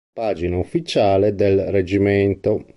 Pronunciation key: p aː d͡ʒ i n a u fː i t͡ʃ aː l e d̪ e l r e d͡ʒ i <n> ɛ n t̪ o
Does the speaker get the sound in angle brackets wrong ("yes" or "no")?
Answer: yes